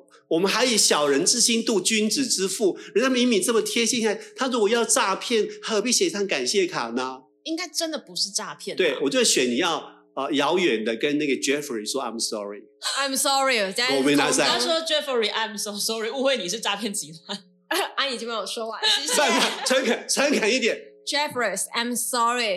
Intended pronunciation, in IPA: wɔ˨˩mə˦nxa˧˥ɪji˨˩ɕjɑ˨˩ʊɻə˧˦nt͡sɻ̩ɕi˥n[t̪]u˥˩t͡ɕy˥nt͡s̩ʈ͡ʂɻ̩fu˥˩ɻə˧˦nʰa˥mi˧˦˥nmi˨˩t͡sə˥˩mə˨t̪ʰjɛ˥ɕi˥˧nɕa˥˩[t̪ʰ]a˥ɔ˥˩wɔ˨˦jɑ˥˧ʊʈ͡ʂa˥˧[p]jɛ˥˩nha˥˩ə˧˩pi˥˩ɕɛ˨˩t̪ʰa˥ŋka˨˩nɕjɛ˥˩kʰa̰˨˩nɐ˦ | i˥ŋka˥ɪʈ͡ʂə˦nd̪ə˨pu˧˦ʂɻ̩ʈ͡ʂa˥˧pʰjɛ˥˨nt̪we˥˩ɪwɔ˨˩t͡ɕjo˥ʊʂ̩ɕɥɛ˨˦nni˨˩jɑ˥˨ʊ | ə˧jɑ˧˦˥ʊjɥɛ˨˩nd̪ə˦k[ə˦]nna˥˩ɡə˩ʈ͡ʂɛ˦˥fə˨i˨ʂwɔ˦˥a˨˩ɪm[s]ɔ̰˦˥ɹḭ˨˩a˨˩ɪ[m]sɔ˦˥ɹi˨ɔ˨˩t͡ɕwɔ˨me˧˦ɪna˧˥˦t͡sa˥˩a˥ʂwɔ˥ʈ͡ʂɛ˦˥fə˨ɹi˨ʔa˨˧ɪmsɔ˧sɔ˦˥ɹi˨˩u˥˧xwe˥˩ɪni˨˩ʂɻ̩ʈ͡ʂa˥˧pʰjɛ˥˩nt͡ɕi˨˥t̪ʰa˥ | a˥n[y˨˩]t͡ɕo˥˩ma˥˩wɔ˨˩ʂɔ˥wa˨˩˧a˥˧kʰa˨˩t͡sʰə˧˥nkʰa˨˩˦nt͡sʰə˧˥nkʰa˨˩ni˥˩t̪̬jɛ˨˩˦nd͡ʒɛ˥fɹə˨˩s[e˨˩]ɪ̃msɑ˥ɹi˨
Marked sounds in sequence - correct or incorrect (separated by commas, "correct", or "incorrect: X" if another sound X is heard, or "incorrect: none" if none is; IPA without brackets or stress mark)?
correct, correct, incorrect: pʰ, correct, correct, correct, incorrect: i˨˩, incorrect: a˨˩